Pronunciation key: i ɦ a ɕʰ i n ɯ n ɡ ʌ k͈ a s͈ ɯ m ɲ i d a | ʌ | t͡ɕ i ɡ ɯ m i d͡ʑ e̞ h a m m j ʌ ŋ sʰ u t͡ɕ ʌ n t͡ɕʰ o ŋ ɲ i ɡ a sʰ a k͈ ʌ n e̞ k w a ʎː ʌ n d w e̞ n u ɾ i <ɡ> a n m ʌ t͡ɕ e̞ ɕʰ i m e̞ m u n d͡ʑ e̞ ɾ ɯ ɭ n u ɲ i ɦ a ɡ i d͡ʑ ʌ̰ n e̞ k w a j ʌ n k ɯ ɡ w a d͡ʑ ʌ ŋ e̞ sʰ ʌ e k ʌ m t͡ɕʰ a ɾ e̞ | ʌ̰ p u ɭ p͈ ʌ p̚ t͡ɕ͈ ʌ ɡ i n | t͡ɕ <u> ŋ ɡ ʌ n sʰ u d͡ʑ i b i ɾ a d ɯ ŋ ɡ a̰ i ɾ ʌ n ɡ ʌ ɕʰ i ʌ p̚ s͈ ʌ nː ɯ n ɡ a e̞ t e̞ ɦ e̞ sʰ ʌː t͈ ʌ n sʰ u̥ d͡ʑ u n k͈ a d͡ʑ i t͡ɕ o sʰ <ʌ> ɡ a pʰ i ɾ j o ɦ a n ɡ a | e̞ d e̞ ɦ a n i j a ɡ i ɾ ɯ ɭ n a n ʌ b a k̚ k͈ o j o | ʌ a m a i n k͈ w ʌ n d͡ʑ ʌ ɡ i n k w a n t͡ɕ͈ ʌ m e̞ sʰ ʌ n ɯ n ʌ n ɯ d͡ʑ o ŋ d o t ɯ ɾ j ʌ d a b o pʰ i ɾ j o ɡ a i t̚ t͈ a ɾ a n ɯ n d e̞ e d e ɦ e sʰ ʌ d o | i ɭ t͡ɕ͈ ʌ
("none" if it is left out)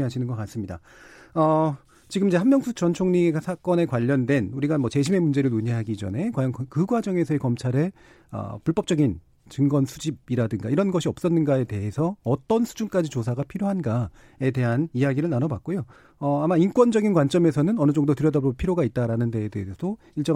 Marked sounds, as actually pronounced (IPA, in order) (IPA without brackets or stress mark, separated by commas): ɡ, ɯ, a